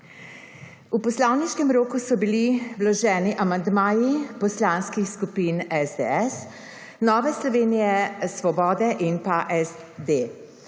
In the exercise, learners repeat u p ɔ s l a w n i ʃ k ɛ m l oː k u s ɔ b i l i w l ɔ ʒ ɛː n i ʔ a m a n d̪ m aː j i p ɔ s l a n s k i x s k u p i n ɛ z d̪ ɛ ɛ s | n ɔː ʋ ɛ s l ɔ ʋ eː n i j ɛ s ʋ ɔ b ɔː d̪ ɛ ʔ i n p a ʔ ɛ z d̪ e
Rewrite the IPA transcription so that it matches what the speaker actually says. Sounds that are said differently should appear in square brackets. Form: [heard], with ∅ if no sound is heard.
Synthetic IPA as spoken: u p ɔ s l a w n i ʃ k ɛ m [ɾ] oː k u s ɔ b i l i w l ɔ ʒ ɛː n i ʔ a m a n d̪ m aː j i p ɔ s l a n s k i x s k u p i n ɛ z d̪ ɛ ɛ s | n ɔː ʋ ɛ s l ɔ ʋ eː n i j ɛ s ʋ ɔ b ɔː d̪ ɛ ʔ i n p a ʔ ɛ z d̪ e